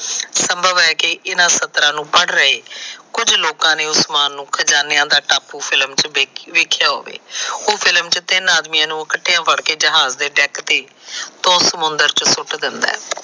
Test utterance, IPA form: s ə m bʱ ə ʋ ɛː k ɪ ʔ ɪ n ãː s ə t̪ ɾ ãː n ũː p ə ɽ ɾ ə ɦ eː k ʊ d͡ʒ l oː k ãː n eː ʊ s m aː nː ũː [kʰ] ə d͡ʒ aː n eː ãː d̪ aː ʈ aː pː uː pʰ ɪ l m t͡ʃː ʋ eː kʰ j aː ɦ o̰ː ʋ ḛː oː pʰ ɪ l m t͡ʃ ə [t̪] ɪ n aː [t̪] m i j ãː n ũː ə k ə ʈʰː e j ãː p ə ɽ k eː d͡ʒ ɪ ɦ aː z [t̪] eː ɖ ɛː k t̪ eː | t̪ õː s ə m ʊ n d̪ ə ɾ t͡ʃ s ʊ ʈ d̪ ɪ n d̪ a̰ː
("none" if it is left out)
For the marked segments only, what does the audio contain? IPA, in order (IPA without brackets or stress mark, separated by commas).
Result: kʰ, t̪, d̪, d̪